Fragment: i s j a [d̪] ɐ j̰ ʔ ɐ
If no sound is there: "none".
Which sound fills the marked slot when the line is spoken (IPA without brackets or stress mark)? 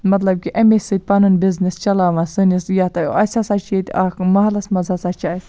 t̪